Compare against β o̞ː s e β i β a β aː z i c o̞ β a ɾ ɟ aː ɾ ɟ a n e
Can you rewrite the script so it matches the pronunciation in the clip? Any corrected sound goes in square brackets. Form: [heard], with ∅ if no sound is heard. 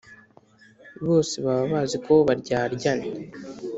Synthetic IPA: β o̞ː s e β [a] β a β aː z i [k] o̞ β a ɾ ɟ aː ɾ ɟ a n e

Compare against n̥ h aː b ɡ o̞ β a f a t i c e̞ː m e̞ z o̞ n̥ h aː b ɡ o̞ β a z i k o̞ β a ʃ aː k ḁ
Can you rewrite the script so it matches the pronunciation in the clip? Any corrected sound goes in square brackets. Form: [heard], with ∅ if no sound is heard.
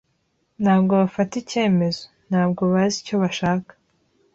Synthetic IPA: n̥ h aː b ɡ o̞ β a f a t i c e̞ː m e̞ z o̞ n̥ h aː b ɡ o̞ β a z i [c] o̞ β a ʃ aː k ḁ

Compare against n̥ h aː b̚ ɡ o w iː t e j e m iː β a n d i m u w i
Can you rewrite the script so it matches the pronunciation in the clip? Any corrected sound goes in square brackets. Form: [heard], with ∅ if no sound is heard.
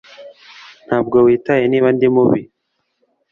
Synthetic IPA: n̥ h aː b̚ ɡ o w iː t [a] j e [n] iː β a n d i m u [β] i

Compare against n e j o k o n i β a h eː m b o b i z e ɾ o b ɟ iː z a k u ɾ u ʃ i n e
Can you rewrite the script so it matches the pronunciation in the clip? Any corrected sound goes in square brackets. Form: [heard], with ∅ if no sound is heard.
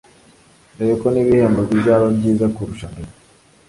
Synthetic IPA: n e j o k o n i β [i] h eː m b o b i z [a] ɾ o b ɟ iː z a k u ɾ u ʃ [a] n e

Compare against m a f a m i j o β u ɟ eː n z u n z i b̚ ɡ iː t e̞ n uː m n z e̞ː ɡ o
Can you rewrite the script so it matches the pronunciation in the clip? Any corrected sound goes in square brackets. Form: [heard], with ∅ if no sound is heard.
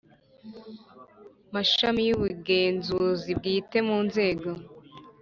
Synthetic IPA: m a [ʃ] a m i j [u] β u [ɡ] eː n z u [∅] z i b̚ ɡ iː t e̞ [m] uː [∅] n z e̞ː ɡ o

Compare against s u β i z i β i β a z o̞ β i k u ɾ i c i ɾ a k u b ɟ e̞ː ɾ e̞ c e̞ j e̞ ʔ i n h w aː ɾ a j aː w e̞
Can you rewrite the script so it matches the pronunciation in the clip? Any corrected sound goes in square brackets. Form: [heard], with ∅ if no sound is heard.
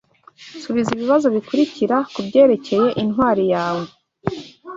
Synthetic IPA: s u β i z i β i β a z o̞ β i k u ɾ i c i ɾ a k u b ɟ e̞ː ɾ e̞ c e̞ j e̞ ʔ i n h w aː ɾ [i] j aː w e̞

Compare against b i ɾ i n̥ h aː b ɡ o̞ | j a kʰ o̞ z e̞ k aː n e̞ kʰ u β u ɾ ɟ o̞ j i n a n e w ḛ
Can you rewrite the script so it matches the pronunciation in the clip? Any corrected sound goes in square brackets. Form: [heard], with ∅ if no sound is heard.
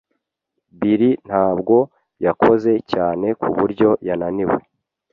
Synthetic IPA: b i ɾ i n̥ h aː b ɡ o̞ | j a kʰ o̞ z e̞ [c] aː n e̞ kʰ u β u ɾ ɟ o̞ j [a] n a n [i] w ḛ

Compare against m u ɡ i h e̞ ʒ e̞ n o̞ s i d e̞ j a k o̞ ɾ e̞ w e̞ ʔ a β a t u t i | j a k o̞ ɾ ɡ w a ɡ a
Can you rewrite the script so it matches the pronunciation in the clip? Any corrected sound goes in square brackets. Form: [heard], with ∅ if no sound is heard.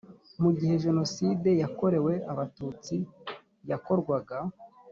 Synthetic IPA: m u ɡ i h e̞ ʒ e̞ n o̞ s i d e̞ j a k o̞ ɾ e̞ w e̞ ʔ a β a t u [t͡s] i | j a k o̞ ɾ ɡ w a ɡ a

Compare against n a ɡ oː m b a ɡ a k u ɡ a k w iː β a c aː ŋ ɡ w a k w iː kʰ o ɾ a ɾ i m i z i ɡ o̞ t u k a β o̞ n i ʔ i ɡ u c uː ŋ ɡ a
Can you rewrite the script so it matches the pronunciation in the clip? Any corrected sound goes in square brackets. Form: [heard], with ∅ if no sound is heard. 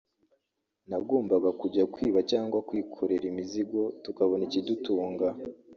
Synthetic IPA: n a ɡ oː m b a ɡ a k u [ɟ] a k w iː β a c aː ŋ ɡ w a k w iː kʰ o ɾ [e] ɾ i m i z i ɡ o̞ t u k a β o̞ n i [c] i [d] u [t] uː ŋ ɡ a

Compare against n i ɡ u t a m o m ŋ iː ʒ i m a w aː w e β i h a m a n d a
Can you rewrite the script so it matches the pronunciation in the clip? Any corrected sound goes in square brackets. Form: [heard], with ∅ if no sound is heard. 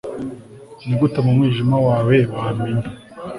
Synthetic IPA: n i ɡ u t a m [u] m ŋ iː ʒ i m a w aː w e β [a] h a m [i] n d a

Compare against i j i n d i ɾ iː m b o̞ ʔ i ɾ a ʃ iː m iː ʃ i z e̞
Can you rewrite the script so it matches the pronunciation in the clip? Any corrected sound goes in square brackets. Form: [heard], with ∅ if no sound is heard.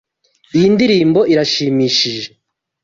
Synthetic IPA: i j i n d i ɾ iː m b o̞ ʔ i ɾ a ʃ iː m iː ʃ i [ʒ] e̞

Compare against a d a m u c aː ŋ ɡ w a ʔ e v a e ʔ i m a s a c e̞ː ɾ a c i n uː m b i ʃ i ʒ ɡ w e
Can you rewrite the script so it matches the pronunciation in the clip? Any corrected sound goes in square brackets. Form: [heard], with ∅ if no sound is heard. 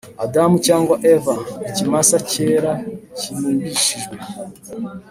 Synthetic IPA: a d a m u c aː ŋ ɡ w a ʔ e v a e [c] i m a s a c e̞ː ɾ a c i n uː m b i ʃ i ʒ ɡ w e

